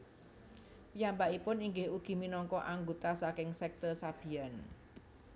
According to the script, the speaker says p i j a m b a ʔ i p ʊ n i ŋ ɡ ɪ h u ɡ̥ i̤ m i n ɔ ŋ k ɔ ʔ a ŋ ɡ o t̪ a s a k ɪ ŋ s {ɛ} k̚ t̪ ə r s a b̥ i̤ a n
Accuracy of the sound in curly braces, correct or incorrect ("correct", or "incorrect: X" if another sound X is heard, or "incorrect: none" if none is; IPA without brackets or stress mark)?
correct